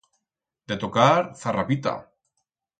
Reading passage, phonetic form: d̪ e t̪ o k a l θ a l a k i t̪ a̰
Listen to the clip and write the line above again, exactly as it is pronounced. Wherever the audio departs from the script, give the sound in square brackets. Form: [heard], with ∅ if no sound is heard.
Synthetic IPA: d̪ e t̪ o k a [ɾ] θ a [r] a [p] i t̪ a̰